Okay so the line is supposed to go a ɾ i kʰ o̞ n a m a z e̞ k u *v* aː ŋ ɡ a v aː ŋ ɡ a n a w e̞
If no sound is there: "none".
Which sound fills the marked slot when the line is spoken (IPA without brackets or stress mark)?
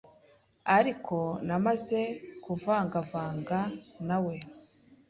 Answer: v